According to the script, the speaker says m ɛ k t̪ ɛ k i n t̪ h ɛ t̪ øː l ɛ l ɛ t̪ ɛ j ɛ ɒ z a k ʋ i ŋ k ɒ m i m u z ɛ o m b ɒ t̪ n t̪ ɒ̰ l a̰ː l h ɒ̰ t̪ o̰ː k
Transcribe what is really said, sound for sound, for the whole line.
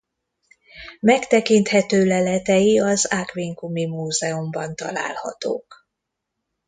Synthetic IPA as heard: m ɛ k t̪ ɛ k i n t̪ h ɛ t̪ øː l ɛ l ɛ t̪ ɛ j i ɒ z a k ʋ i ŋ k u m i m uː z ɛ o m b ɒ n t̪ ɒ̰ l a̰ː l h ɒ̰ t̪ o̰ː k